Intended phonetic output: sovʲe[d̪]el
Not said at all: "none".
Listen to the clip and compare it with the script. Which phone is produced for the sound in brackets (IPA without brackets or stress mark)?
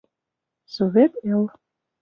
t̪